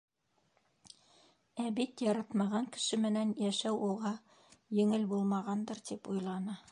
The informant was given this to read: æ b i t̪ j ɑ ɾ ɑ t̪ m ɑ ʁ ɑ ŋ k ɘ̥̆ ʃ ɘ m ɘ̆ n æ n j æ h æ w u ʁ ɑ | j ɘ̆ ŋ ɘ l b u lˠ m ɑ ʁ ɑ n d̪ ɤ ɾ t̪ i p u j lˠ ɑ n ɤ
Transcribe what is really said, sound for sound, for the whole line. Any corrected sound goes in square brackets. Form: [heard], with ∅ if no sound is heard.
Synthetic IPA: æ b i t̪ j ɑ ɾ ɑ t̪ m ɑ ʁ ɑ ŋ k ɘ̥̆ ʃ ɘ m ɘ̆ n æ n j æ [ʃ] æ w u ʁ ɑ | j ɘ̆ ŋ ɘ l b u lˠ m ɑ ʁ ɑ n d̪ ɤ ɾ t̪ i p u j lˠ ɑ n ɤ